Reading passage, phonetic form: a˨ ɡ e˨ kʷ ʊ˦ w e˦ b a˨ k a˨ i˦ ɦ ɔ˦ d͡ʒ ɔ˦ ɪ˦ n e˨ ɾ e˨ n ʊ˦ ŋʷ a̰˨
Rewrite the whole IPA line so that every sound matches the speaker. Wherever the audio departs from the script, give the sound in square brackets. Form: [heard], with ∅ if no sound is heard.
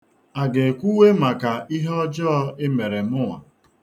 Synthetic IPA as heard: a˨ ɡ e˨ kʷ [u˦] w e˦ [m] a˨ k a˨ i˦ ɦ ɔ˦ d͡ʒ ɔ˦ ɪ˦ [m] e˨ ɾ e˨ [m] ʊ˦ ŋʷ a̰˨